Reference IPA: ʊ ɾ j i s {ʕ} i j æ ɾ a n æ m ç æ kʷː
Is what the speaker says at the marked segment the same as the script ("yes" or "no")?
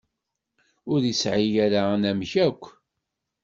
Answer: yes